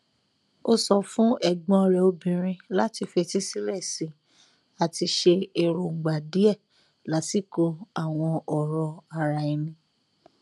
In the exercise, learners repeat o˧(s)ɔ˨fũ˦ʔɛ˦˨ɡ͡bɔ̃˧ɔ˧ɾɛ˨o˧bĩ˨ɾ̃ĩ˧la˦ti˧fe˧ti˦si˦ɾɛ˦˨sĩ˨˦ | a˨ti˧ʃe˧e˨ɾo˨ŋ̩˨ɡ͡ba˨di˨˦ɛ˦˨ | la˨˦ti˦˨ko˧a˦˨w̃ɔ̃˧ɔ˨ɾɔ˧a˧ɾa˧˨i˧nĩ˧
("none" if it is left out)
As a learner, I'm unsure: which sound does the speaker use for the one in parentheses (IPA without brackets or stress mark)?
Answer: s